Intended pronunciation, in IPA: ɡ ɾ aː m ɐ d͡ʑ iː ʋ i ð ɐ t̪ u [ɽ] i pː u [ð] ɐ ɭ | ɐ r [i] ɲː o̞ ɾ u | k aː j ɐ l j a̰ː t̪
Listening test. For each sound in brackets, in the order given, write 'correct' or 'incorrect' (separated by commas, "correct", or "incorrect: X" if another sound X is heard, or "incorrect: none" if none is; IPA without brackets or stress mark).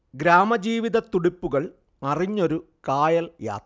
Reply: correct, incorrect: ɣ, correct